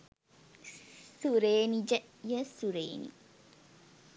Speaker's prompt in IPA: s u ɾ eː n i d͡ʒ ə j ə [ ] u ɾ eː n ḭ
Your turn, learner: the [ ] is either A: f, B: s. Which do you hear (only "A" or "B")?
B